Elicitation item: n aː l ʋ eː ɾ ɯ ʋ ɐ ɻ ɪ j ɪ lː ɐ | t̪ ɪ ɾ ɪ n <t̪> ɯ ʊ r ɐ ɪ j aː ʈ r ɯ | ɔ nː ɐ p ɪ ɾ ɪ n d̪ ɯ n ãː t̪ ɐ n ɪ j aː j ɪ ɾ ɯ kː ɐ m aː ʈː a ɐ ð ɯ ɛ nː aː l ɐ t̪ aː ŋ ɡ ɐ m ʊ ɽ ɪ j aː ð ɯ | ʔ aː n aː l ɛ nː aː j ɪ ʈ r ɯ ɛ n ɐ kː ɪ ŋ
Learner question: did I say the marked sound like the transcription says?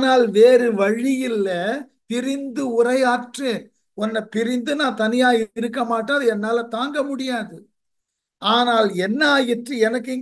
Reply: no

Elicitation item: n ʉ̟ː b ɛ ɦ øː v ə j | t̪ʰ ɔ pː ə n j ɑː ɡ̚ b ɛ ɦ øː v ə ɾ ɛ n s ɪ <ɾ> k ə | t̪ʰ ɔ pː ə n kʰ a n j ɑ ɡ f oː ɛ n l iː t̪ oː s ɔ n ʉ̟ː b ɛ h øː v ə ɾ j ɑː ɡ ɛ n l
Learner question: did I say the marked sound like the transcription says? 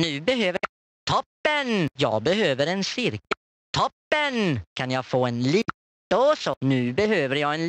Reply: yes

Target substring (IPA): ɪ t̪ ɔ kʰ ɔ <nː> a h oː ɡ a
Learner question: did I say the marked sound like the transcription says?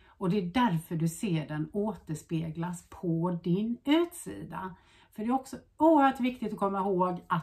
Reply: no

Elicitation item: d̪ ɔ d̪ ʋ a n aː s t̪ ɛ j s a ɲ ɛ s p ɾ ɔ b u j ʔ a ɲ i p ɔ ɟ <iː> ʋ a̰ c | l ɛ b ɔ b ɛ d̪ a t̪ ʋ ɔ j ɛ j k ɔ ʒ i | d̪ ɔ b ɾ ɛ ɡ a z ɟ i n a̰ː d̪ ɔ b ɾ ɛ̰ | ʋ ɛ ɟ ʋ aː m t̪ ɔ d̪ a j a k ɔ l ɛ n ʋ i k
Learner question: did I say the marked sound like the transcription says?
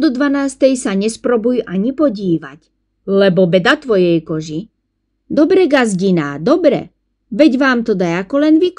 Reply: yes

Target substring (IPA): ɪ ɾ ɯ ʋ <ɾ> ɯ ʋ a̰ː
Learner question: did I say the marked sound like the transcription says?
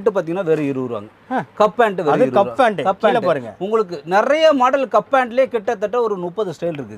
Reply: yes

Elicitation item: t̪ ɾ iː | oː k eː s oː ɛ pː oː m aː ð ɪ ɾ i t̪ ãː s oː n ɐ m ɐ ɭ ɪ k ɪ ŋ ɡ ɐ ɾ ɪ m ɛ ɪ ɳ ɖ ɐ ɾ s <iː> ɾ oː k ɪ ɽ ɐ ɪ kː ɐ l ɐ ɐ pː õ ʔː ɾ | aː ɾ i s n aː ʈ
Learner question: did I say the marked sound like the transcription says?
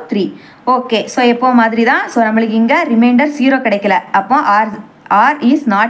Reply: yes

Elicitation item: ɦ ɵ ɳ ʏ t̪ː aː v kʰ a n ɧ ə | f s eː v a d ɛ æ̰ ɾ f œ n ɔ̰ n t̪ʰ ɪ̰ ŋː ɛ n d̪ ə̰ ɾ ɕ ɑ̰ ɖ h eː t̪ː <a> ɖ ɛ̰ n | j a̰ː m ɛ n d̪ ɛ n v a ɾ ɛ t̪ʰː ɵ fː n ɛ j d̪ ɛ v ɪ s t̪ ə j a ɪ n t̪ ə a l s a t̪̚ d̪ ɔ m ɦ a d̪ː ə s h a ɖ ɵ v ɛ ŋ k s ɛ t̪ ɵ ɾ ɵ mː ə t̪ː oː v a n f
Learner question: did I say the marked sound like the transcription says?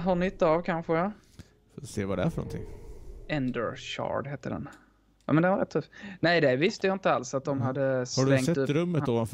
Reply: no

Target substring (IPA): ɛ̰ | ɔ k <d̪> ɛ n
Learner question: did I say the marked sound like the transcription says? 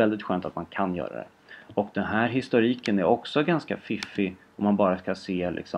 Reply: yes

